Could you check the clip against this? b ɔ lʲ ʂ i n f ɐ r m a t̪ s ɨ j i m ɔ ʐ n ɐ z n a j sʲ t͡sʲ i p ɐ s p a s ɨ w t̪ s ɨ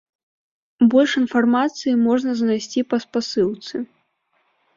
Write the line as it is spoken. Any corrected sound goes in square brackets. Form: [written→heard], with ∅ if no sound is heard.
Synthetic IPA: b ɔ lʲ ʂ i n f [ɐ→a] r m a t̪ s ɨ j i m ɔ ʐ n ɐ z n a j sʲ t͡sʲ i p ɐ s p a s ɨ w t̪ s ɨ